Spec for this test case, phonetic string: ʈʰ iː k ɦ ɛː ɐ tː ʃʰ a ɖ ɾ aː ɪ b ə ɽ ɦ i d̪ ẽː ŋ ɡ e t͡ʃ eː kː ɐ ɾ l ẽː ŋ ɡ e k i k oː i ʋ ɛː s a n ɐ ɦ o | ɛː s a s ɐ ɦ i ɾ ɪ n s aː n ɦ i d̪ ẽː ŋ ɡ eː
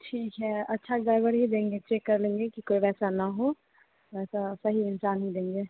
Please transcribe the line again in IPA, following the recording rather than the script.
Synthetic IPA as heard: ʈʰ iː k ɦ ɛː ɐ tː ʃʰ a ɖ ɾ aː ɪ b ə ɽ ɦ i d̪ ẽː ŋ ɡ e t͡ʃ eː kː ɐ ɾ l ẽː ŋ ɡ e k i k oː i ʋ ɛː s a n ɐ ɦ o | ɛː s a s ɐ ɦ i ɪ n s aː n ɦ i d̪ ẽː ŋ ɡ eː